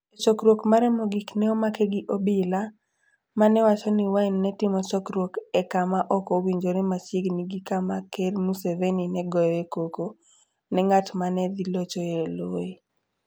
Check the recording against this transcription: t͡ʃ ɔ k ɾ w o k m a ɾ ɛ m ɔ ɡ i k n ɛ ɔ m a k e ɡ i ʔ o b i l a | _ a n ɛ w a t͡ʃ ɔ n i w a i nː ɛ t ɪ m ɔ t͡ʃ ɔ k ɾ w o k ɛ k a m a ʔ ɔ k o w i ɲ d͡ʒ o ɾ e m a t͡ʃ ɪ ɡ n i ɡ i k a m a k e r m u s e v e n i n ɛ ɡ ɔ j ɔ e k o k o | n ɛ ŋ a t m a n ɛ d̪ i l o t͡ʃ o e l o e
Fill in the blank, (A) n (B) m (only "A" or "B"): B